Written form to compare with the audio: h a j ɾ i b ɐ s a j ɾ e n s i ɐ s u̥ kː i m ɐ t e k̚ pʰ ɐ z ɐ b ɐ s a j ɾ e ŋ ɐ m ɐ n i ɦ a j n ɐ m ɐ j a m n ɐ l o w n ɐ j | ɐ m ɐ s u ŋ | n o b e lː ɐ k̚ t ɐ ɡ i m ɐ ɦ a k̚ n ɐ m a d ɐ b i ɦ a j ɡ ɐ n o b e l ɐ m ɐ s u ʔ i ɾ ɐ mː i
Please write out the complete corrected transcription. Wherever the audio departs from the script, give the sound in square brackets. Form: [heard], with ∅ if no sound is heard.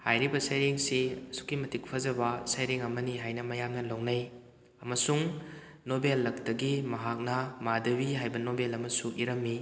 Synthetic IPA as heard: h a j ɾ i b ɐ s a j ɾ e [ŋ] s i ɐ s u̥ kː i m ɐ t [i] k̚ pʰ ɐ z ɐ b ɐ s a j ɾ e ŋ ɐ m ɐ n i ɦ a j n ɐ m ɐ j a m n ɐ l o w n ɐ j | ɐ m ɐ s u ŋ | n o b e lː ɐ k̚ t ɐ ɡ i m ɐ ɦ a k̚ n ɐ m a d ɐ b i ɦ a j [b] ɐ n o b e l ɐ m ɐ s u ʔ i ɾ ɐ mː i